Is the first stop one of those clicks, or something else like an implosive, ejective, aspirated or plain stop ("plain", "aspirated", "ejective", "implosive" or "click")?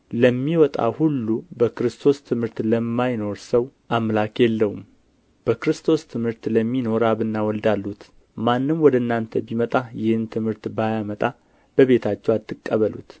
ejective